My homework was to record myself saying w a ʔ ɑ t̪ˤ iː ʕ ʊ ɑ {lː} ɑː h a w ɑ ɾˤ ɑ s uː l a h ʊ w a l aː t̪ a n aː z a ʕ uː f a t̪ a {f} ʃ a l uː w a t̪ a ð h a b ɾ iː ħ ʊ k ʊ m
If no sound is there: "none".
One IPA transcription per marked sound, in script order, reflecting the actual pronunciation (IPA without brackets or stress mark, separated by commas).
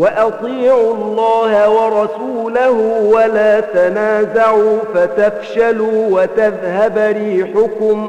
lː, f